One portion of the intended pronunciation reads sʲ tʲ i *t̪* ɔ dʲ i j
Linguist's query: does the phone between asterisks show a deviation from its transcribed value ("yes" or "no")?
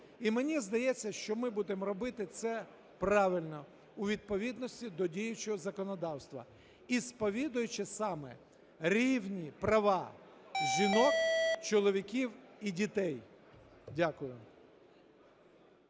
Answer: yes